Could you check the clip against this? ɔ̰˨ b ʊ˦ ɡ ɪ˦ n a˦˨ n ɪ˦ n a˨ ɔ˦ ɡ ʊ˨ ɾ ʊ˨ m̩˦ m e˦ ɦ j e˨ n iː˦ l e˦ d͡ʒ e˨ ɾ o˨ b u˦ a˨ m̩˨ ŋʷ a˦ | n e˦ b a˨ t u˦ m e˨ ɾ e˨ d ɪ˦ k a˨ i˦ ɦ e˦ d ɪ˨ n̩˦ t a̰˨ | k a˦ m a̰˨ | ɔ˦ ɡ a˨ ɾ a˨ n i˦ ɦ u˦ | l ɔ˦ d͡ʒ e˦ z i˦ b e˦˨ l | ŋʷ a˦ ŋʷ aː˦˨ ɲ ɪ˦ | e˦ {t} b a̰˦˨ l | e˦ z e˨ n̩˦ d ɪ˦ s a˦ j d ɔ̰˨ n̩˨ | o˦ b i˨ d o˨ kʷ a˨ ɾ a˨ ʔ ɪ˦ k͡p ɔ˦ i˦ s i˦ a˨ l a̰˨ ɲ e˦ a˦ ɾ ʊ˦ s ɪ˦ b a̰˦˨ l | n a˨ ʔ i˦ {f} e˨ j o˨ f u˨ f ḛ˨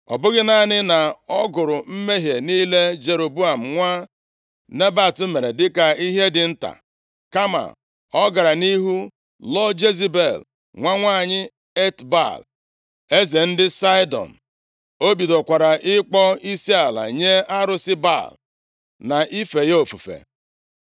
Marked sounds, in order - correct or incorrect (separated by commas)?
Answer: correct, correct